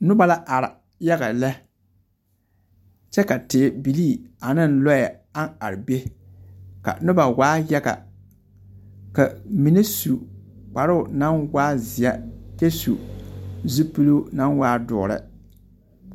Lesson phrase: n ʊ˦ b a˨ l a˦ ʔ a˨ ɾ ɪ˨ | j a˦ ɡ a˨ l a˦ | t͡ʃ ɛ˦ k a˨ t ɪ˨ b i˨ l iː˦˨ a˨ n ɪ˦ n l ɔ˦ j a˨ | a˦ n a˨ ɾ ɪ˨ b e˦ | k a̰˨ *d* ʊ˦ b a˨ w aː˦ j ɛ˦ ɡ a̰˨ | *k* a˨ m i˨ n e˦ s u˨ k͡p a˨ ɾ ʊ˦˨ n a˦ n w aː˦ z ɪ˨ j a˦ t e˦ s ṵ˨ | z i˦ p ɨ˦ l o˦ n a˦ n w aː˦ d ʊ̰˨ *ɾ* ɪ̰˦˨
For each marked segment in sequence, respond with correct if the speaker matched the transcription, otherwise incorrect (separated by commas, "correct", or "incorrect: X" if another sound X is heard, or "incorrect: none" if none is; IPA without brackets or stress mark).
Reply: incorrect: n, correct, correct